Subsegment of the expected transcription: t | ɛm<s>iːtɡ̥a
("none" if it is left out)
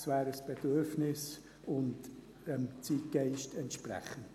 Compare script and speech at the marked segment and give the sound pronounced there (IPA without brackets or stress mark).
t͡s